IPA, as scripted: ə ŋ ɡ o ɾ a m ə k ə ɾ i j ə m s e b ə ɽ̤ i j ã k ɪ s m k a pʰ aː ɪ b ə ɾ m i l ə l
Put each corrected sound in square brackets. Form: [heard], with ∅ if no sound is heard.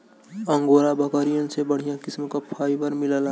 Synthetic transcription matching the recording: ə ŋ ɡ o ɾ a [b] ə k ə ɾ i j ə [n] s e b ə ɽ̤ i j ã k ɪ s m k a pʰ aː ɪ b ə ɾ m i l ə l